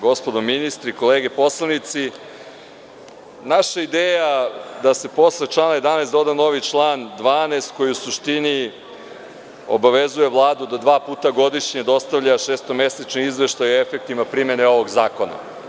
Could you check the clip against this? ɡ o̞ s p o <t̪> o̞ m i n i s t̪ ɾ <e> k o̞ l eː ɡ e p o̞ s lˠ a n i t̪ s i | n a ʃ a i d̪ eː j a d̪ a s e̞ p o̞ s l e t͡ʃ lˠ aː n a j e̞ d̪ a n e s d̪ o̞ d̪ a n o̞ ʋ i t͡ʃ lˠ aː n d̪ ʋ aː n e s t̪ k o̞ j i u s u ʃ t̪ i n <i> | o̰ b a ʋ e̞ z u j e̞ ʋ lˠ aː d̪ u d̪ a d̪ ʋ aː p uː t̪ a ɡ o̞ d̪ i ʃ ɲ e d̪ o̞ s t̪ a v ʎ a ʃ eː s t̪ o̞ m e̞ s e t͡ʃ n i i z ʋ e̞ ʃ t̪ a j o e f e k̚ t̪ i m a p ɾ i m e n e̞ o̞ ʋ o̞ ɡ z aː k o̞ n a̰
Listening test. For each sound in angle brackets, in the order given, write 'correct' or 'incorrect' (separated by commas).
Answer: incorrect, incorrect, correct